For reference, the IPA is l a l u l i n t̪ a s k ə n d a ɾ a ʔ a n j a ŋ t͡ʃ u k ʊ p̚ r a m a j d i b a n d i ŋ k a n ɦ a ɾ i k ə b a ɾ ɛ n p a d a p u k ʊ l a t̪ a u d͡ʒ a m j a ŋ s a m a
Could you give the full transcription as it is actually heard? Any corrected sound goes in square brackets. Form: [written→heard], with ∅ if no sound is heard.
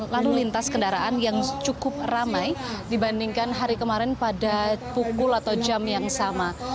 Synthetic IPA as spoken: l a l u l i n t̪ a s k ə n d a ɾ a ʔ a n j a ŋ t͡ʃ u k ʊ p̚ r a m a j d i b a n d i ŋ k a n ɦ a ɾ i k ə [b→m] a ɾ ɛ n p a d a p u k ʊ l a t̪ a [u→w] d͡ʒ a m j a ŋ s a m a

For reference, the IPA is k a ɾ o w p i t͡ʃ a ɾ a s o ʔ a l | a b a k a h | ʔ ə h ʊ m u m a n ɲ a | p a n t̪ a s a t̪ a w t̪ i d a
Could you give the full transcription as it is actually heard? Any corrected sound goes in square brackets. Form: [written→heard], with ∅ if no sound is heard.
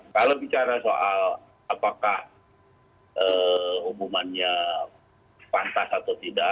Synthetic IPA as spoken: k a [ɾ→l] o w [p→b] i t͡ʃ a ɾ a s o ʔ a l | a [b→p] a k a h | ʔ ə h [ʊ→u] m u m a n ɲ a | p a n t̪ a s a t̪ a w t̪ i d a

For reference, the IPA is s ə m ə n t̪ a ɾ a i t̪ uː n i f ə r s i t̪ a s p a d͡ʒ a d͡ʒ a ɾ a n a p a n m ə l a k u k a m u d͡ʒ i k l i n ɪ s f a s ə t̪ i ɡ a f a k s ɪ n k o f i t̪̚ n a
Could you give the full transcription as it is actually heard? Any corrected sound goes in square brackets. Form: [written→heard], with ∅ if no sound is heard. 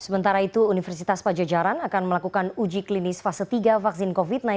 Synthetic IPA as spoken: s ə m ə n t̪ a ɾ a i t̪ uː n i f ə r s i t̪ a s p a d͡ʒ a d͡ʒ a ɾ a n a [p→k] a n m ə l a k u k a [m→n] u d͡ʒ i k l i n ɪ s f a s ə t̪ i ɡ a f a k s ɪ n k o f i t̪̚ n a

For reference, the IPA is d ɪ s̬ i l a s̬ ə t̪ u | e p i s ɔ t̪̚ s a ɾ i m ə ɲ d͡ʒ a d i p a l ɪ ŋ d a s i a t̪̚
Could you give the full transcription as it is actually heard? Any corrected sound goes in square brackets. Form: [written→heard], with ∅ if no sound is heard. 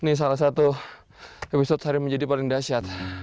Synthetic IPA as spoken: [d→n] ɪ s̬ [i→a] l a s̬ [ə→a] t̪ u | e p i s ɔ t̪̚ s a ɾ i m ə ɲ d͡ʒ a d i p a l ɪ ŋ d a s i a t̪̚

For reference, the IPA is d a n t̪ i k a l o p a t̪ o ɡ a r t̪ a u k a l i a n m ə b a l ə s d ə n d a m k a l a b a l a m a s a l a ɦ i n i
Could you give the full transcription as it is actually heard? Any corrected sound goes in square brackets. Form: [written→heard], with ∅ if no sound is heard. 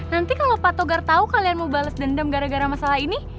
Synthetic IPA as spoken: [d→n] a n t̪ i k a l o p a t̪ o ɡ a r t̪ a u k a l i a n m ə b a l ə s d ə n d a m [k→ɡ] a [l→ɾ] a [b→ɡ] a [l→ɾ] a m a s a l a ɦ i n i

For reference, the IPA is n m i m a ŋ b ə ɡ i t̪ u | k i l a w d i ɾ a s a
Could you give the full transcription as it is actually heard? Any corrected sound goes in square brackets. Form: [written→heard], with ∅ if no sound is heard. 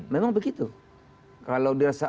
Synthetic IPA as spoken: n m [i→e] m a ŋ b ə ɡ i t̪ u | k [i→a] l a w d i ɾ a s a

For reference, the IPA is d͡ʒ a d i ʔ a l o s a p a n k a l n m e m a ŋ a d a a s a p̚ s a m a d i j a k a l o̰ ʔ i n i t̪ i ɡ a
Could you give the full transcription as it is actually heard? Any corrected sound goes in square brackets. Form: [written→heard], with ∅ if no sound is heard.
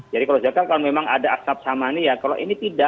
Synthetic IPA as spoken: d͡ʒ a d i [ʔ→k] a l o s a [p→k] a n k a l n m e m a ŋ a d a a s a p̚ s a m a [d→n] i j a k a l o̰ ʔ i n i t̪ i [ɡ→d] a

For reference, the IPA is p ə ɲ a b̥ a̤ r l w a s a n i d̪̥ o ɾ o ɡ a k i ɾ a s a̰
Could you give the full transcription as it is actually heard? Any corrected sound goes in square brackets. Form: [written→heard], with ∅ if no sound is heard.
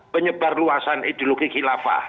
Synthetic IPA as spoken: p ə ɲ [a→ə] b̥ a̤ r l [w→u] a s a n i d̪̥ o [ɾ→l] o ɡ [a→i] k i [ɾ→l] a [s→f] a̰

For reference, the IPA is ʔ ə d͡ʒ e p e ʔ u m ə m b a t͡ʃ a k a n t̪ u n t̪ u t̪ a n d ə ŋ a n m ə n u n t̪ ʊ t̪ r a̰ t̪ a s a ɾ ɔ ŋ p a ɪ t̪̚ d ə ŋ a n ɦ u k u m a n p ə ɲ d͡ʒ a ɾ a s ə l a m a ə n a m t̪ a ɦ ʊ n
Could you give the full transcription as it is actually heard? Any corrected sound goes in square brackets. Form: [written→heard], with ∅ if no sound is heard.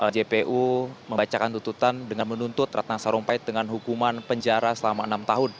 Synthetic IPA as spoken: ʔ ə d͡ʒ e p e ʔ u m ə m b a t͡ʃ a k a n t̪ u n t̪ u t̪ a n d ə ŋ a n m ə n u n t̪ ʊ t̪ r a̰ t̪ a s a ɾ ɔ ŋ p a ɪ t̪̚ d ə ŋ a n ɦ u k u m a n p ə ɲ d͡ʒ a ɾ a s ə l a m a ə n a m t̪ a ɦ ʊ n

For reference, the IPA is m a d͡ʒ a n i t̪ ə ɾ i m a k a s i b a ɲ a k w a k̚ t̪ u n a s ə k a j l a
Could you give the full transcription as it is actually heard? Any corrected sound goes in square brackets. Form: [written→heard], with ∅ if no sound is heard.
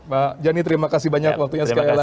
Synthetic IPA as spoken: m a d͡ʒ a n i t̪ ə ɾ i m a k a s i b a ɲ a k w a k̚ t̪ u [n→ɲ] a s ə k a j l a

